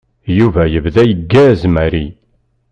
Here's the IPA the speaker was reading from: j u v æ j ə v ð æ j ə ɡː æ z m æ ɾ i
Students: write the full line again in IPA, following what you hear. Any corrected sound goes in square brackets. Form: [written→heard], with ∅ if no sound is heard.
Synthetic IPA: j u v æ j ə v ð æ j ə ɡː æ z m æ ɾ i